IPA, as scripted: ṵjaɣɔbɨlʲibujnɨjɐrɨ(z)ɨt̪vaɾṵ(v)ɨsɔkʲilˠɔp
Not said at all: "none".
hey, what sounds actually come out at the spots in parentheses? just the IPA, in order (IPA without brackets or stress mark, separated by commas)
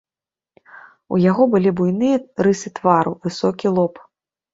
s, v